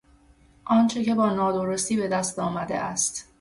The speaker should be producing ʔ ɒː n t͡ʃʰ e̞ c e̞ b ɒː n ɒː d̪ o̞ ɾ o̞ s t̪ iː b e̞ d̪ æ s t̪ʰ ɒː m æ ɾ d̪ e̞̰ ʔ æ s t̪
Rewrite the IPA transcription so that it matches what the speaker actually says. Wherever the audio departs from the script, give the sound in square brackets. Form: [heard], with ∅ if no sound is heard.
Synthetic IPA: ʔ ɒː n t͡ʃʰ e̞ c e̞ b ɒː n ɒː d̪ o̞ ɾ o̞ s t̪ iː b e̞ d̪ æ s [t̪] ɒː m æ [∅] d̪ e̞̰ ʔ æ s t̪